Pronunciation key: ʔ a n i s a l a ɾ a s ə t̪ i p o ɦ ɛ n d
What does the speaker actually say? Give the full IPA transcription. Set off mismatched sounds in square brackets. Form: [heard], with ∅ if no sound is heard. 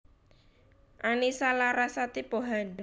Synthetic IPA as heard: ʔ a n i s a l a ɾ a s [a] t̪ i p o ɦ [a] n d